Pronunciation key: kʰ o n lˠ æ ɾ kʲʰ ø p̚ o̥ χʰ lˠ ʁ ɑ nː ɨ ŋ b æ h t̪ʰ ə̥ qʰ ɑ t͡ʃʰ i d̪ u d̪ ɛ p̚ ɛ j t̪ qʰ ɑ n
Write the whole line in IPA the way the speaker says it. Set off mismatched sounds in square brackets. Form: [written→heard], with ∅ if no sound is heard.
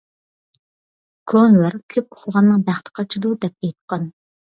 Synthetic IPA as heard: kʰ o n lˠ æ ɾ kʲʰ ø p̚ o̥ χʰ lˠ ʁ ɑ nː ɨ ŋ b æ [h→χ] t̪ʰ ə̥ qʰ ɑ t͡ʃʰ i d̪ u d̪ ɛ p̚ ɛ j t̪ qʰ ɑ n